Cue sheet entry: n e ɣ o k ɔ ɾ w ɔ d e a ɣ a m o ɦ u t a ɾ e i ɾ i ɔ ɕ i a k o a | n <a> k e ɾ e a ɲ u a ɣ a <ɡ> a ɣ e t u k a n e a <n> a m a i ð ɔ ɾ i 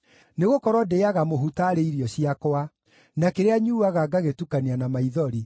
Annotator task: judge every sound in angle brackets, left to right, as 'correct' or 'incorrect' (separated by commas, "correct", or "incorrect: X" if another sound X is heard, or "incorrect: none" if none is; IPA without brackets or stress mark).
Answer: correct, correct, correct